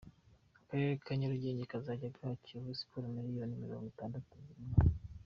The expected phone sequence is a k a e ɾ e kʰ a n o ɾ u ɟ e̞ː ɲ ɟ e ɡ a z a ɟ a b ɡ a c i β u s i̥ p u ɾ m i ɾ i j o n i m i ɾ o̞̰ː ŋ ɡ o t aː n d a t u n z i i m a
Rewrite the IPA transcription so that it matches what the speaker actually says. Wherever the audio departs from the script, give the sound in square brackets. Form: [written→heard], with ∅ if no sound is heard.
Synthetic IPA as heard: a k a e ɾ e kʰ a [n→ɲ] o ɾ u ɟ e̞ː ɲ ɟ e [ɡ→k] a z a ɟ a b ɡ a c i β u s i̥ p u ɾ m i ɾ i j o n i m i ɾ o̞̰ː ŋ ɡ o t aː n d a t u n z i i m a